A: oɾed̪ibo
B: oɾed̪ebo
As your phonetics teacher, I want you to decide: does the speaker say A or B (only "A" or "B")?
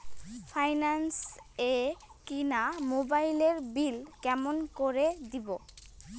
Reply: A